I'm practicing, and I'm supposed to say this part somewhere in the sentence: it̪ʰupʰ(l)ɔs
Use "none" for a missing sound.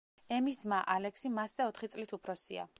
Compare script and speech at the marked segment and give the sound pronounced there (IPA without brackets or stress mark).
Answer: ɾ